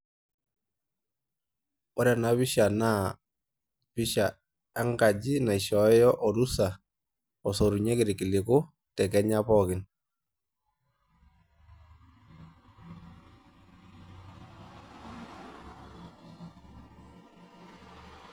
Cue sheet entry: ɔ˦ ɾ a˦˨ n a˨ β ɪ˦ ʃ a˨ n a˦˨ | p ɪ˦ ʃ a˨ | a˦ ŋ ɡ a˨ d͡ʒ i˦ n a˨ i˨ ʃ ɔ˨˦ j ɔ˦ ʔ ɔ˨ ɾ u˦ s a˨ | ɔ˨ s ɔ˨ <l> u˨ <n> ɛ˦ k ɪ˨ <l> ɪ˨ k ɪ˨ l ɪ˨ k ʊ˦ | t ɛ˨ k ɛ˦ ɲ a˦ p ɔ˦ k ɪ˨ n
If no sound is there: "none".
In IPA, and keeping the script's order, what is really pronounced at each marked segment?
ɾ, ɲ, ɾ

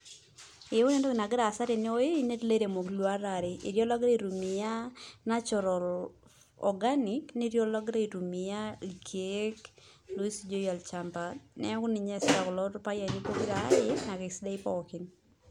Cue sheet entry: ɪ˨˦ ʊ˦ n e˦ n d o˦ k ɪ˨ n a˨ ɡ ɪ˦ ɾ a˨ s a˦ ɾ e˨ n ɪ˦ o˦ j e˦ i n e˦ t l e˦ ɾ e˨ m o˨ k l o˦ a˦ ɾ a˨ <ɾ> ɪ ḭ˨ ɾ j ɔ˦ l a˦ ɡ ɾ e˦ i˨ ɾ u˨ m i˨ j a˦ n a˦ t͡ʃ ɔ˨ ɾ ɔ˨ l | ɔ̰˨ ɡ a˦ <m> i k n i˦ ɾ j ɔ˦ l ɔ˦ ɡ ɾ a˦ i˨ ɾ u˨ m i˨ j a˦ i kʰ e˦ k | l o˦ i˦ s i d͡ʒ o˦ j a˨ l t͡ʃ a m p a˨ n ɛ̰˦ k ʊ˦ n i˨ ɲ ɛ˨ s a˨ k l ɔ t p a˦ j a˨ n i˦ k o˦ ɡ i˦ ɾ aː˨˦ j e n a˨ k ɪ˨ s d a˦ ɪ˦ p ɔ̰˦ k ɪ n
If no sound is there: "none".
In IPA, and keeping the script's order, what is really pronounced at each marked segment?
ɾ, n

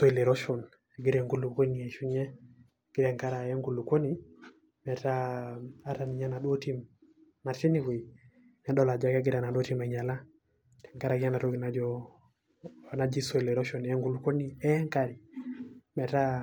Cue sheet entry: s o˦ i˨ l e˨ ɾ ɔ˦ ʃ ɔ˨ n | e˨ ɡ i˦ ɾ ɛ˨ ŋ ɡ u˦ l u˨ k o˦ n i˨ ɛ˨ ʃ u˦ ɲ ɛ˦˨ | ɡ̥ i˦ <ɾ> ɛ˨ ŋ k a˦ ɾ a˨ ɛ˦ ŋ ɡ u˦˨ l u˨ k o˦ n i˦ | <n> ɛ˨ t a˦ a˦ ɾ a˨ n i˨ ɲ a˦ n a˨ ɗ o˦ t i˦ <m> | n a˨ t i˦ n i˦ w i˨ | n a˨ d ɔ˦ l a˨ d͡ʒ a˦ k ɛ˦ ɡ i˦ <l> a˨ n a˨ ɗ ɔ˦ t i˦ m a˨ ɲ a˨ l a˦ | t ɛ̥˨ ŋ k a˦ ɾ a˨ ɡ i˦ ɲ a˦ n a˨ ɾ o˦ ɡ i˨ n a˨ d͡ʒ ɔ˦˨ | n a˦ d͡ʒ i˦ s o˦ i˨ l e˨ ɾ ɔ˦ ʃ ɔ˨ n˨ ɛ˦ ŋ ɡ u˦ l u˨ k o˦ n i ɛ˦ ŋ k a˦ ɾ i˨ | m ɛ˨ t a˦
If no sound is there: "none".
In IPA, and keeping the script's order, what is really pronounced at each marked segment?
ɾ, m, m, ɾ

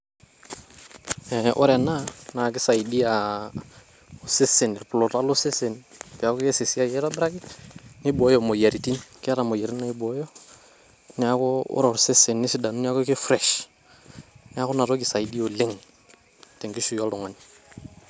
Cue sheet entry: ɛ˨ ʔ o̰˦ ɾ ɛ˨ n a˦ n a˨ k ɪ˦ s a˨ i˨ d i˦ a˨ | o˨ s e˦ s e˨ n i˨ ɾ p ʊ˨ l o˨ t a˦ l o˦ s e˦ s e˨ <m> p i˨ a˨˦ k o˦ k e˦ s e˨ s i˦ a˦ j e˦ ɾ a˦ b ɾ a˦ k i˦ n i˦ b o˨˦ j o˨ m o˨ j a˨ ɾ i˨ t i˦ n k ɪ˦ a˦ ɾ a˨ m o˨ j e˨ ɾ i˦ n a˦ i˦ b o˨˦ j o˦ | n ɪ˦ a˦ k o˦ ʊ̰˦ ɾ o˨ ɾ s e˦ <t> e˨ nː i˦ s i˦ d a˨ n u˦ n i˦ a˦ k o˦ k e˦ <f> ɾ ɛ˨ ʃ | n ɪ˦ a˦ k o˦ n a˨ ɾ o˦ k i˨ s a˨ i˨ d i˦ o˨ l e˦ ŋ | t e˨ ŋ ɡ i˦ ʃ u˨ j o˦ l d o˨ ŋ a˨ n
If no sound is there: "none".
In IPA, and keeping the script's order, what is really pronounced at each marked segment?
n, s, f

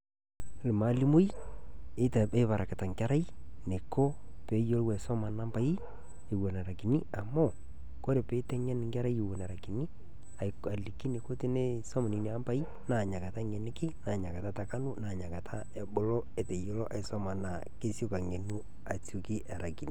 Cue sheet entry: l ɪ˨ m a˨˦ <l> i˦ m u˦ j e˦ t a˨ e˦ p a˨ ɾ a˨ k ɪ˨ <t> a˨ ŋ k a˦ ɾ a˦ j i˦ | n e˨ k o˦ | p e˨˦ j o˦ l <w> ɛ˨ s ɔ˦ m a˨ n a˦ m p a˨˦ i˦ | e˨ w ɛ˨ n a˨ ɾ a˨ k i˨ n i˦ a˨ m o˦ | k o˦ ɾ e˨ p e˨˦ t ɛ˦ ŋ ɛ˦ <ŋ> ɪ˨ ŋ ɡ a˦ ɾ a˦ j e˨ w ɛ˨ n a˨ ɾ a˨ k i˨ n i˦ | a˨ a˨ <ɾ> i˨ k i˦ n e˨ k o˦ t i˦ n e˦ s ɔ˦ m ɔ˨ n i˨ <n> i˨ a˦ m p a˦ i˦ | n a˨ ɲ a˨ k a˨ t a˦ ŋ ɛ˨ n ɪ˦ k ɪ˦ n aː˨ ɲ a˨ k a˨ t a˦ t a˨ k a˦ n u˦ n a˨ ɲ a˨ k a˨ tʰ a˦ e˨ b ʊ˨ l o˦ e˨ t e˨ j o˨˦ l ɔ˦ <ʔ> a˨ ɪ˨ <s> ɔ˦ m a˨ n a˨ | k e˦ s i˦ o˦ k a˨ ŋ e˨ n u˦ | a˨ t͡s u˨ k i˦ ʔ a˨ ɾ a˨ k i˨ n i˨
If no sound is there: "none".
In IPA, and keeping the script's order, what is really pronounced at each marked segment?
l, t, w, n, l, n, ʔ, s

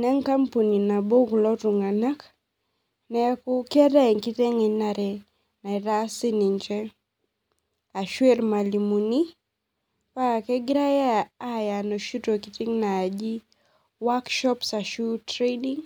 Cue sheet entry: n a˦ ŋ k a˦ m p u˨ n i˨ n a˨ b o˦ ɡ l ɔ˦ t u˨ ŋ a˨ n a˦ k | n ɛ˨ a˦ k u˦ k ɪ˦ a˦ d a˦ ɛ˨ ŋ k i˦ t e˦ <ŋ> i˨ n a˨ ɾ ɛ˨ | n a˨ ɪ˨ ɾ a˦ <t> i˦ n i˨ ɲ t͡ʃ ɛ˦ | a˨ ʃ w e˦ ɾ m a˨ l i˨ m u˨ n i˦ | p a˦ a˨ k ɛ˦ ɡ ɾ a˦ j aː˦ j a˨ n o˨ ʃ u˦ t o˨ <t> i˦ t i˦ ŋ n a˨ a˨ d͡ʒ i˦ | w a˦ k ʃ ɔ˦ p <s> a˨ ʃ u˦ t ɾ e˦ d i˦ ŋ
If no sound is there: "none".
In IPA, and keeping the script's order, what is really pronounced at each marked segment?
ŋ, s, k, s

